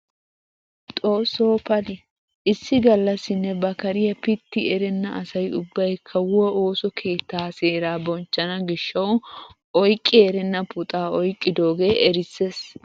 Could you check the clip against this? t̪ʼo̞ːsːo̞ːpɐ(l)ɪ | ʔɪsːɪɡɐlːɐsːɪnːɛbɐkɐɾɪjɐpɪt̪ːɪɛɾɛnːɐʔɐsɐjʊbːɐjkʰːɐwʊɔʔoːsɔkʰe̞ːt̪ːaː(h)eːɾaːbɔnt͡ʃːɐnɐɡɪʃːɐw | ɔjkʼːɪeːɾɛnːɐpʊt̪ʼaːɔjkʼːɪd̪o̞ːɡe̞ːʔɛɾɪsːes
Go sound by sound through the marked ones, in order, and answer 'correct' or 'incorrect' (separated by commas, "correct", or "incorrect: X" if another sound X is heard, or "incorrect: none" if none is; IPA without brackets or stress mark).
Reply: correct, incorrect: s